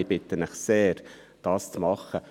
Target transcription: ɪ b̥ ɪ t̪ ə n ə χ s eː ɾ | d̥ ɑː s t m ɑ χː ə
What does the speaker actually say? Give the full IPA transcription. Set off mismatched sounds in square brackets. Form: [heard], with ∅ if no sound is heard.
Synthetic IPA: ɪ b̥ ɪ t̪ ə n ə χ s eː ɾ | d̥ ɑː s [t͡s] m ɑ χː ə